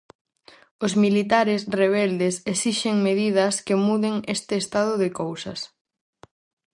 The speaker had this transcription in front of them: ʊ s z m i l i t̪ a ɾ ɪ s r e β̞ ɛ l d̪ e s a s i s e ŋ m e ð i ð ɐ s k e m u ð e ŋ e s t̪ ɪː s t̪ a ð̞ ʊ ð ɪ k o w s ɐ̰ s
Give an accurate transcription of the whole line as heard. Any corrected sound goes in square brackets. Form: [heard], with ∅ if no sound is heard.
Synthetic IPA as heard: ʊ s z m i l i t̪ a ɾ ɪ s r e β̞ ɛ l d̪ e s [e] s i [ʃ] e ŋ m e ð i ð ɐ s k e m u ð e ŋ e s t̪ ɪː s t̪ a ð̞ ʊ ð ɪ k o w s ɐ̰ s